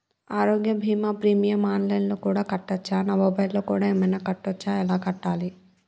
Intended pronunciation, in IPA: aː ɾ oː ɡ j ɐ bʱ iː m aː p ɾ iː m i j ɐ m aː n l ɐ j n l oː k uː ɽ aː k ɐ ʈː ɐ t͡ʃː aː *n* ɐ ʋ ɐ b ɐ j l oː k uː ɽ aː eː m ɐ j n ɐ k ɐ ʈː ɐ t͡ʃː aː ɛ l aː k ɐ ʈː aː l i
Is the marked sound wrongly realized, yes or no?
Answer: no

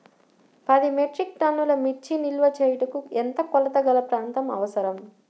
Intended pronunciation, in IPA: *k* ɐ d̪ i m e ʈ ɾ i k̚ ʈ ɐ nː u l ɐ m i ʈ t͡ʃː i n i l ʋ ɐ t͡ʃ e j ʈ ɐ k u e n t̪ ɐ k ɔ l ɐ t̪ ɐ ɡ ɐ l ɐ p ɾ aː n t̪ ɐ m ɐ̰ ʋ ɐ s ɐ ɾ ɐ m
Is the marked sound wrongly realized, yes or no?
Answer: yes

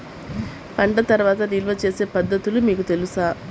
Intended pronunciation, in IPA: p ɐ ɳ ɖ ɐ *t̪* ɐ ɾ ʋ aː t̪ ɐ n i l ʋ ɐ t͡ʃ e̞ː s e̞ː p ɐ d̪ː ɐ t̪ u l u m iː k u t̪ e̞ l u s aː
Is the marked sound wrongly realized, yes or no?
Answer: no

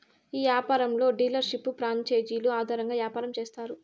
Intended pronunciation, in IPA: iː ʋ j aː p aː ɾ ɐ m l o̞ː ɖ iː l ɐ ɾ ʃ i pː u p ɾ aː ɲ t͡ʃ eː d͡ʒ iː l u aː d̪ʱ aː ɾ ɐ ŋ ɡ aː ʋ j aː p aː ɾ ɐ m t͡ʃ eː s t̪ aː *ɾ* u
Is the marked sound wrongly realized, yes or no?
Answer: no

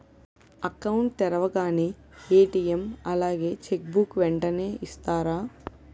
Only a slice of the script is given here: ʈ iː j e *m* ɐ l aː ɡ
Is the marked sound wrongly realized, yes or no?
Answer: no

